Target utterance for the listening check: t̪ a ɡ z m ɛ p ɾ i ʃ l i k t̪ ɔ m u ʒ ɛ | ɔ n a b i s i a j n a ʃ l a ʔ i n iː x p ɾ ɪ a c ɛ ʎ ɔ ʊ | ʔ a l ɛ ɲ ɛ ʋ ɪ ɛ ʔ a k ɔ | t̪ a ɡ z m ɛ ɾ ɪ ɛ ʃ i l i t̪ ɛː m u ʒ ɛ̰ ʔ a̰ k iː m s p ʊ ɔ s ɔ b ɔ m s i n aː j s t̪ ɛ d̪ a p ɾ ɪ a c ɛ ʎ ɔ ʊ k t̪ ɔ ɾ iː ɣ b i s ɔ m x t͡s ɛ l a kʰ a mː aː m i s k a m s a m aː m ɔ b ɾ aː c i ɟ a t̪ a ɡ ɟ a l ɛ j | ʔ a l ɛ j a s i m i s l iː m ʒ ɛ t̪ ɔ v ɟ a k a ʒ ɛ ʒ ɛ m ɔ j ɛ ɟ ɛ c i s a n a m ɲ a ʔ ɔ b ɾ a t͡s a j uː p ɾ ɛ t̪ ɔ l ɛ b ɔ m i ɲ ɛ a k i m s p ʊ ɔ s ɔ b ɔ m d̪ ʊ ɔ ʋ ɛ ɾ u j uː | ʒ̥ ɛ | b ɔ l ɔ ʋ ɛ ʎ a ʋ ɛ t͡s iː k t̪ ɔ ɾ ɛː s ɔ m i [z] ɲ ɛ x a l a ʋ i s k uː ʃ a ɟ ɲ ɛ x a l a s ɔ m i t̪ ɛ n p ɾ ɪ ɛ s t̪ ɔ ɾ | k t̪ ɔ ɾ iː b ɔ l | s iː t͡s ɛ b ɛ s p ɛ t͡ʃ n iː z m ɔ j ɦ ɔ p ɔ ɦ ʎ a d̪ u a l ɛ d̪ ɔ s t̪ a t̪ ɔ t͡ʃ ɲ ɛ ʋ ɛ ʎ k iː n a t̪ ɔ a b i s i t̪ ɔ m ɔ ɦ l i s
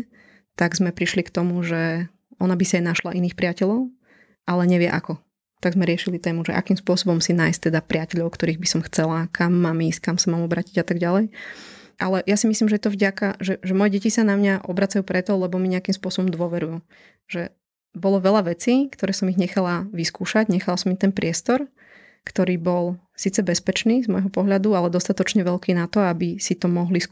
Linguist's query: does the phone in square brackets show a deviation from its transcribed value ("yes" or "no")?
yes